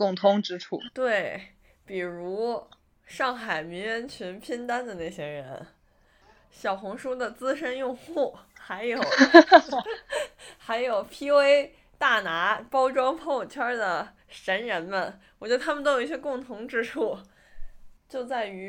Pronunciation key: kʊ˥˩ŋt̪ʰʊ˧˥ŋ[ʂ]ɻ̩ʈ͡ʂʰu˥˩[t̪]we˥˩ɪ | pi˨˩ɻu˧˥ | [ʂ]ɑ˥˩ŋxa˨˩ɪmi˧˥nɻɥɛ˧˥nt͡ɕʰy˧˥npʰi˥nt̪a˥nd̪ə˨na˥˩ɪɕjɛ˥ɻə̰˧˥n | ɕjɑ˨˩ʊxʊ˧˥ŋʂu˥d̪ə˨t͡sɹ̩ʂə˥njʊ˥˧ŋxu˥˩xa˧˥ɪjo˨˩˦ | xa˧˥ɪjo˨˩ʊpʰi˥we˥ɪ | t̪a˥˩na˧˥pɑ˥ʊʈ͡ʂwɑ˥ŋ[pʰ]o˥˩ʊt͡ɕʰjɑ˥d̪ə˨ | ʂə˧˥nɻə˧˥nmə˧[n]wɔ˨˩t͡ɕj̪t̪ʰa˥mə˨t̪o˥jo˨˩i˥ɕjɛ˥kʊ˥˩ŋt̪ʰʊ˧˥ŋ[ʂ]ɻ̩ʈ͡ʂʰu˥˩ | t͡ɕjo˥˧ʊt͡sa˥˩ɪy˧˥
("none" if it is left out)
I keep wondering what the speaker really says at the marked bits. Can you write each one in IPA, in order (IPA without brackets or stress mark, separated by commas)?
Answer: ʈ͡ʂ, t̪, ʂ, pʰ, n, ʈ͡ʂ